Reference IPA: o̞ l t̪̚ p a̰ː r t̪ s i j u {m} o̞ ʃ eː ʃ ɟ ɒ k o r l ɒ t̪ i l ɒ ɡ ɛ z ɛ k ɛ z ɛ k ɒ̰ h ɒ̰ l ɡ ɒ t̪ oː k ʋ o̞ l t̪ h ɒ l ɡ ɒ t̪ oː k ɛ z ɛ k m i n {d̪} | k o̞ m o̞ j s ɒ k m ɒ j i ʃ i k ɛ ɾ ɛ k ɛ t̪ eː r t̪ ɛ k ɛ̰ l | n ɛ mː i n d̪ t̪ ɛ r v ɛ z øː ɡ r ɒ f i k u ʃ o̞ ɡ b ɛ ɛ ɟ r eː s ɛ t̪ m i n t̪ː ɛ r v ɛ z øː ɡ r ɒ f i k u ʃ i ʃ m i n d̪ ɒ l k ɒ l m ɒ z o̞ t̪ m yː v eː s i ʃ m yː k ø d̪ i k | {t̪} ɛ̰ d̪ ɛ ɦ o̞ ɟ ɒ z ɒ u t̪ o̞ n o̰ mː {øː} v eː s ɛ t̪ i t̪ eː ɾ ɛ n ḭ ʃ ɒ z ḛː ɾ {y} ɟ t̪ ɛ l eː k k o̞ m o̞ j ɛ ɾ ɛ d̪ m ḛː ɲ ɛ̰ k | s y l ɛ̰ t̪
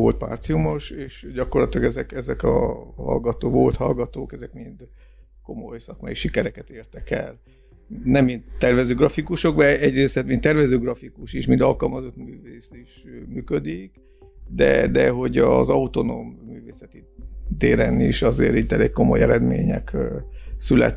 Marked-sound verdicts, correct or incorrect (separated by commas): correct, correct, incorrect, incorrect, incorrect